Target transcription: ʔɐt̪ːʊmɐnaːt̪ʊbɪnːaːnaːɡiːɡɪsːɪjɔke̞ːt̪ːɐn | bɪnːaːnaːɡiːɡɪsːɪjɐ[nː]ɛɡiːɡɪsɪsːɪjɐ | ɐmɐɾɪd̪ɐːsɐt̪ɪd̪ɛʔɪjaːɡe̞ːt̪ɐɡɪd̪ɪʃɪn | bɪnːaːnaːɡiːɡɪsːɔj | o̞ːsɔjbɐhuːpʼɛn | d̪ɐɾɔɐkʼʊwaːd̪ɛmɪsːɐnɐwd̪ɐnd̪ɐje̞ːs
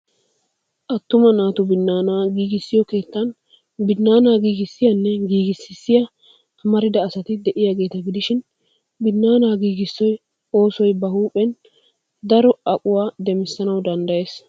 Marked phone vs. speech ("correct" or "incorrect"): correct